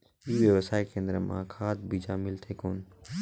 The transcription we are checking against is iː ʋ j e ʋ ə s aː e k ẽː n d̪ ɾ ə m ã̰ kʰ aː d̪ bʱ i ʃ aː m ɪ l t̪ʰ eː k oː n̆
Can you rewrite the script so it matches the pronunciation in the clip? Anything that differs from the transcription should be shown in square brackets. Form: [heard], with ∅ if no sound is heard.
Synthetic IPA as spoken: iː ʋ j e ʋ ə s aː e k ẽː n d̪ ɾ ə m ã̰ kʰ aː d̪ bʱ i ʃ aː m ɪ l t̪ʰ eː k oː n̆